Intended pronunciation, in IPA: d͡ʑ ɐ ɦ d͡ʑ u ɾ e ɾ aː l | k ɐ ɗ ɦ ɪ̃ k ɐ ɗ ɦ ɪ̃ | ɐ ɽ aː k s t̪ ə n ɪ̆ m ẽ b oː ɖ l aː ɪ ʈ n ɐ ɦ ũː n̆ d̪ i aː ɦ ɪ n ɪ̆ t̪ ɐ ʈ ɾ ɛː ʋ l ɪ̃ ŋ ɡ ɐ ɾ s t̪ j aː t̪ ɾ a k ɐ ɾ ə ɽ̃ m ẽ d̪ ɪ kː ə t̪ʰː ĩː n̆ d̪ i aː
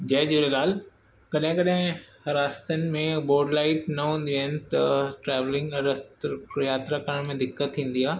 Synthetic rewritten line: d͡ʑ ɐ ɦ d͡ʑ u ɾ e l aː l | k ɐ ɗ ɦ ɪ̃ k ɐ ɗ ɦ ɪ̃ | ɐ ɾ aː s t̪ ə n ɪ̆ m ẽ b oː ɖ l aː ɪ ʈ n ɐ ɦ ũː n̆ d̪ i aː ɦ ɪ n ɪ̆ t̪ ɐ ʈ ɾ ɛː ʋ l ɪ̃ ŋ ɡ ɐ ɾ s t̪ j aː t̪ ɾ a k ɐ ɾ ə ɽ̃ m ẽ d̪ ɪ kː ə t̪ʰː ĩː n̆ d̪ i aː

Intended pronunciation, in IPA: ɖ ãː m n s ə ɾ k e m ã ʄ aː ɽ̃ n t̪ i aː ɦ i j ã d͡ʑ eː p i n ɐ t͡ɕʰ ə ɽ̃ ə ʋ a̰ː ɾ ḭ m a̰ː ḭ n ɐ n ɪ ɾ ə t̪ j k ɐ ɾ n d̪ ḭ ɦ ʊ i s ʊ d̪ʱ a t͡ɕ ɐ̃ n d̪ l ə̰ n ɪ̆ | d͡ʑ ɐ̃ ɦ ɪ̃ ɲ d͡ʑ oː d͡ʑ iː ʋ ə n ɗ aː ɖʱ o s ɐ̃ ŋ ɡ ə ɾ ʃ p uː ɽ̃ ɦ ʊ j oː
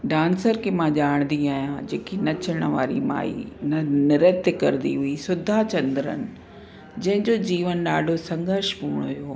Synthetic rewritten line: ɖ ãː n s ə ɾ k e m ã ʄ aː ɽ̃ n d̪ i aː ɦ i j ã d͡ʑ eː k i n ɐ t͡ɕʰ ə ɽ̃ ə ʋ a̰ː ɾ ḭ m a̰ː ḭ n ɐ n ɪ ɾ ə t̪ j k ɐ ɾ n d̪ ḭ ɦ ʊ i s ʊ d̪ʱ a t͡ɕ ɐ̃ n d̪ ɾ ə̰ n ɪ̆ | d͡ʑ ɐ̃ ɦ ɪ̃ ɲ d͡ʑ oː d͡ʑ iː ʋ ə n ɗ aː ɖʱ o s ɐ̃ ŋ ɡ ə ɾ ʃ p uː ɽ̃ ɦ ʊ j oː

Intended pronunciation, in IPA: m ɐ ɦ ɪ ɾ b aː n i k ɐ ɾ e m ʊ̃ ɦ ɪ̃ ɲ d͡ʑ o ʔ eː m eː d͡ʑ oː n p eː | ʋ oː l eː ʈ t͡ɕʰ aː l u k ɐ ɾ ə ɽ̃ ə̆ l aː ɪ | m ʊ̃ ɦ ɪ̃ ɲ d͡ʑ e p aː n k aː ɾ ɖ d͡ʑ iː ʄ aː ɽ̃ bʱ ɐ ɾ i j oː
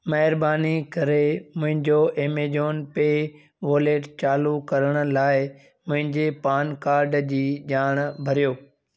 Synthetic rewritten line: m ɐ ɦ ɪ ɾ b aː n i k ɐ ɾ e m ʊ̃ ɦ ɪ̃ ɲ d͡ʑ o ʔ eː m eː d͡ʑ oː n p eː | ʋ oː l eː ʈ t͡ɕ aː l u k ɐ ɾ ə ɽ̃ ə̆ l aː ɪ | m ʊ̃ ɦ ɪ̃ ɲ d͡ʑ e p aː n k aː ɾ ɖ d͡ʑ iː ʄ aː ɽ̃ bʱ ɐ ɾ i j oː

